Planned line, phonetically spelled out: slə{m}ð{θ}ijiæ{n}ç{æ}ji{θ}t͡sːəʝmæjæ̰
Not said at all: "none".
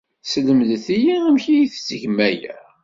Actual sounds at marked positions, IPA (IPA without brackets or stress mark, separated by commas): m, θ, m, i, θ